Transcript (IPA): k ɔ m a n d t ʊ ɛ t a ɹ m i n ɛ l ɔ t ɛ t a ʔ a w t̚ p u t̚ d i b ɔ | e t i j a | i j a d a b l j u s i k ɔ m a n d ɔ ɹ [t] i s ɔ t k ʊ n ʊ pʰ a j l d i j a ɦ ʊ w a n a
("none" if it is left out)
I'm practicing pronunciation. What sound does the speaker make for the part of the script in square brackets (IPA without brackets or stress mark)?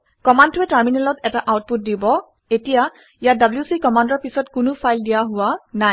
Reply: p